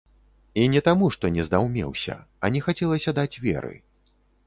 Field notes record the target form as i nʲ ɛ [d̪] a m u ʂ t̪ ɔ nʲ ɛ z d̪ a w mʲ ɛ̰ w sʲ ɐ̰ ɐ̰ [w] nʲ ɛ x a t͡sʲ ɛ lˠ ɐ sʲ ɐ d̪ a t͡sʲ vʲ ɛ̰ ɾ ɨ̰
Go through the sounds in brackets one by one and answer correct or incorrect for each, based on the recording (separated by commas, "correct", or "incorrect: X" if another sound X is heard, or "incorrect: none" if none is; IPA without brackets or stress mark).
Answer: incorrect: t̪, incorrect: none